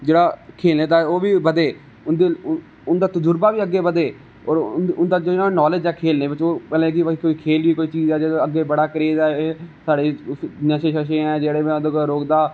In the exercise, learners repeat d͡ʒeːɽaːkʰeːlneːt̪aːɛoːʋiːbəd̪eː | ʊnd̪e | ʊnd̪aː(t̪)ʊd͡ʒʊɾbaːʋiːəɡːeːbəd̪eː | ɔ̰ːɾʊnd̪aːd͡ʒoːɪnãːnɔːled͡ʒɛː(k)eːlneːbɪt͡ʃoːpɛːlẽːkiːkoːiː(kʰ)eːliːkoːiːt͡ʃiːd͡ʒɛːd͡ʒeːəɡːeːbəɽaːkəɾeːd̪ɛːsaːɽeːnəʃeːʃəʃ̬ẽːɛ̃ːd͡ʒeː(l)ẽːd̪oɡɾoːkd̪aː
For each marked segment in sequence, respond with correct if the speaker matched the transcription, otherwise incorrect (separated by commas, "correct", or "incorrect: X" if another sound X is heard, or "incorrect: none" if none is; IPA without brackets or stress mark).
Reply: correct, incorrect: kʰ, correct, incorrect: ɽ